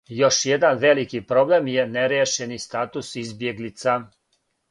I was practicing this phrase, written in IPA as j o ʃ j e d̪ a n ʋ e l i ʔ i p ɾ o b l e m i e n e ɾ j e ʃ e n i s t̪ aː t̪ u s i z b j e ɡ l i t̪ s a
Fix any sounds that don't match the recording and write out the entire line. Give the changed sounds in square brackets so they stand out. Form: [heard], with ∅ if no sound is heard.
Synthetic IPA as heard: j o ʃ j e d̪ a n ʋ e l i [k] i p ɾ o b l e m [j] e n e ɾ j e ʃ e n i s t̪ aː t̪ u s i z b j e ɡ l i t̪ s a